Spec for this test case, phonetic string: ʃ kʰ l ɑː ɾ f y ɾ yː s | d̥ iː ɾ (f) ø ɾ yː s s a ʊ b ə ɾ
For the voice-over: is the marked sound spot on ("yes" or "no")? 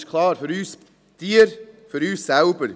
yes